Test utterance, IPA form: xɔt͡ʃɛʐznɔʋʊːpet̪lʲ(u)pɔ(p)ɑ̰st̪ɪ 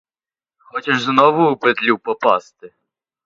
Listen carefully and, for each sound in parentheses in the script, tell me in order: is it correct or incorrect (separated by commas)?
correct, correct